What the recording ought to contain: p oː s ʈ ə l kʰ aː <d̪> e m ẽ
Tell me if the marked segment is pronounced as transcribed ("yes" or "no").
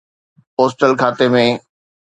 no